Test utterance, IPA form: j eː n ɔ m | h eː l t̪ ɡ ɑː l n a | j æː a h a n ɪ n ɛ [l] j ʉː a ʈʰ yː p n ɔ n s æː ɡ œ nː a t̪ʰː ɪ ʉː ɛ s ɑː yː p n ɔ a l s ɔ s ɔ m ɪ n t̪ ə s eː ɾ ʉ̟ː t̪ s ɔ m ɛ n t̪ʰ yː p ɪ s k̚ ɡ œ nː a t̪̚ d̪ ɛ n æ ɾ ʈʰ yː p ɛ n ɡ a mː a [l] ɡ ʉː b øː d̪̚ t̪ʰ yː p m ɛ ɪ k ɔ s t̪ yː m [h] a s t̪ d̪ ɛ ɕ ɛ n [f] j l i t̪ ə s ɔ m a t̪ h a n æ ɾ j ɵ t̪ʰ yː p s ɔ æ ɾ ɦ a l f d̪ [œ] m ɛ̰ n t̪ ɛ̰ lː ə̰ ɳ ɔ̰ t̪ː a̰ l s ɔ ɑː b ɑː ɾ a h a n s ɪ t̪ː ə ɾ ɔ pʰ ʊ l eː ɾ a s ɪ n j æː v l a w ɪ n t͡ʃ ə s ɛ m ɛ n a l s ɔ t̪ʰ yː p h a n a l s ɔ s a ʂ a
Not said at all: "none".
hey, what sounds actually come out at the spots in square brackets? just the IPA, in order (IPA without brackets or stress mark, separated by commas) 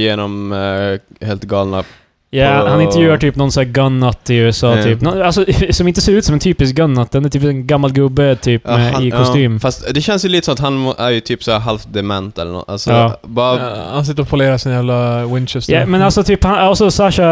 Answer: ɾ, l, f, s, ɛ